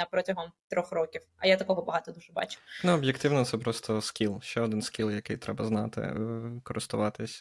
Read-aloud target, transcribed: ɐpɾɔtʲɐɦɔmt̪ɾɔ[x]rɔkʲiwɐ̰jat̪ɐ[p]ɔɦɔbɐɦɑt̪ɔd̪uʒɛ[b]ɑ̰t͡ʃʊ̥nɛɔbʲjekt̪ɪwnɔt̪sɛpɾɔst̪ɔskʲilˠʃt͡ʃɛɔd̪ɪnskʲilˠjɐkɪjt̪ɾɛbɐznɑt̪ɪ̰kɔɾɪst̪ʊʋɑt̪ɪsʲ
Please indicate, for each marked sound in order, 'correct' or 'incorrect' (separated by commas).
correct, incorrect, correct